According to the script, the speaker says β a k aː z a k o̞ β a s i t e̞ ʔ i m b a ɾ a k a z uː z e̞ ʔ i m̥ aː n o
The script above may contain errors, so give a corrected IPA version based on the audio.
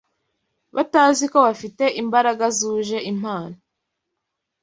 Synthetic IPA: β a t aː z i k o̞ β a f i t e̞ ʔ i m b a ɾ a ɡ a z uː ʒ e̞ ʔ i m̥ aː n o